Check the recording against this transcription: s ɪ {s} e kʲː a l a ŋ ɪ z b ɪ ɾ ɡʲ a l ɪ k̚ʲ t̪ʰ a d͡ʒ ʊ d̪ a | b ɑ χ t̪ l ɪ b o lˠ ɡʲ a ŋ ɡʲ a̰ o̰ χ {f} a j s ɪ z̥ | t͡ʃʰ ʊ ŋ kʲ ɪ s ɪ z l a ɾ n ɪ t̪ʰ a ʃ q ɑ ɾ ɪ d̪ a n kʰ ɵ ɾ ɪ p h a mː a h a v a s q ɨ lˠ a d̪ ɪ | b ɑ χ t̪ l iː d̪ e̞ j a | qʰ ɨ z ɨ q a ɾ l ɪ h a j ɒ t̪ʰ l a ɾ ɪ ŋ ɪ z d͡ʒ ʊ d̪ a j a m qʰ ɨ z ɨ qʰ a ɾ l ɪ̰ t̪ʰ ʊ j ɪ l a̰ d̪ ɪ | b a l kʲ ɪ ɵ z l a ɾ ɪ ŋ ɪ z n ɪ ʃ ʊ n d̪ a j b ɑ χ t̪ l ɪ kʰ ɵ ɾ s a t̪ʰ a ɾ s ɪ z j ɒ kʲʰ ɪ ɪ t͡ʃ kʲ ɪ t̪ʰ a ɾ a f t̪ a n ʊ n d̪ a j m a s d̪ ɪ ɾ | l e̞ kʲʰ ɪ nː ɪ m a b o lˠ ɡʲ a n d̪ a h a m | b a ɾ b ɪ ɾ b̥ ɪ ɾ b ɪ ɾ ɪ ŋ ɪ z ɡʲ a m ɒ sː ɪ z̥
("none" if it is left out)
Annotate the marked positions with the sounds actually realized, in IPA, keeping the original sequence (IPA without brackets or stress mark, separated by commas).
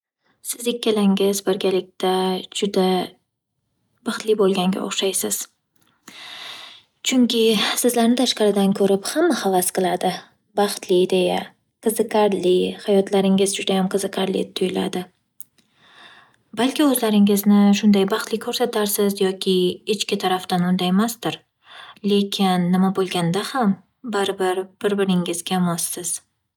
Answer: z, ʃ